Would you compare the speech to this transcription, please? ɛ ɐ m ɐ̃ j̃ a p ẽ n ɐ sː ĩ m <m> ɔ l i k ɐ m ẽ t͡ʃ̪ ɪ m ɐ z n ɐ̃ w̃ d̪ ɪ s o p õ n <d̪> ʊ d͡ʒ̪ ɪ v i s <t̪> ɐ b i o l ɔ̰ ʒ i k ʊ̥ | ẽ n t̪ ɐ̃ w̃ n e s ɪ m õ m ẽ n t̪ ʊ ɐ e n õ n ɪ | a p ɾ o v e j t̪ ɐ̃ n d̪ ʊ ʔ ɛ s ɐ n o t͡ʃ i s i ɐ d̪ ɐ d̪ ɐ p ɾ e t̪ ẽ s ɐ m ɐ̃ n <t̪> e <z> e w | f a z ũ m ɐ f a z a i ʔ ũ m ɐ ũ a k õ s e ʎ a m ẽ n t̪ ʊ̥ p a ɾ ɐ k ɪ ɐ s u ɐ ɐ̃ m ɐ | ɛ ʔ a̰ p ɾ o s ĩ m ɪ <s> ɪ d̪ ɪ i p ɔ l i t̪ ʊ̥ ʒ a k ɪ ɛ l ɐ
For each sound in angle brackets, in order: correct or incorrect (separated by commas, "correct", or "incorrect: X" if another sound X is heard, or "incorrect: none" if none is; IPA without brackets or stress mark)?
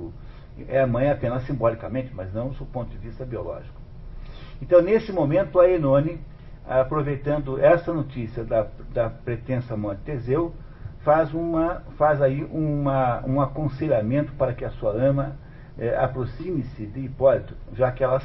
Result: incorrect: b, incorrect: t̪, correct, correct, correct, correct